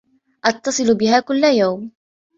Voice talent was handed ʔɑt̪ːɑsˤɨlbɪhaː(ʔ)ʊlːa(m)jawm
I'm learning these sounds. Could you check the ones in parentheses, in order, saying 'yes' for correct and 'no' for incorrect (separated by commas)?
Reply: no, no